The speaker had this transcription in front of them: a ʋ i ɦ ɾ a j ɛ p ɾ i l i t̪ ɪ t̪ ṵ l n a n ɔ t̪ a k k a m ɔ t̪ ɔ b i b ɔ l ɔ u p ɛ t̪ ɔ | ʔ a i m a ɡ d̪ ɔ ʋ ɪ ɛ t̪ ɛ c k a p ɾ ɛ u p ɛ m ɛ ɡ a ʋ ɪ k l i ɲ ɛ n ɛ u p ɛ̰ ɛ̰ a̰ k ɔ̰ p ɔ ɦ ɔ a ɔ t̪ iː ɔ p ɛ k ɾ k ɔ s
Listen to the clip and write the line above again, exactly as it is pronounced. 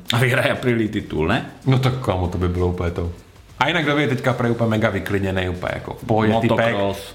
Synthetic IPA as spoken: a ʋ i ɦ ɾ a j a p ɾ i l i t̪ i t̪ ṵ l n ɛ n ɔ t̪ a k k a m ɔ t̪ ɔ b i b ɔ l ɔ u p ɛ t̪ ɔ | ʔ a i n a ɡ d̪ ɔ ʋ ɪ ɛ t̪ ɛ c k a p ɾ ɛ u p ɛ m ɛ ɡ a ʋ i k l i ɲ ɛ n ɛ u p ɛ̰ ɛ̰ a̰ k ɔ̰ p ɔ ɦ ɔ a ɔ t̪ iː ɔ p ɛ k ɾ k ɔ s